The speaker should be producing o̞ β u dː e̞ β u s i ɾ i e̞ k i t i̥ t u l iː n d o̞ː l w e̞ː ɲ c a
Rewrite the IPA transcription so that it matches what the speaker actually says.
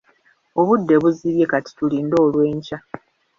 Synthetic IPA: o̞ β u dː e̞ β u z i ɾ j e̞ k a t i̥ t u l iː n d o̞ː l w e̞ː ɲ c a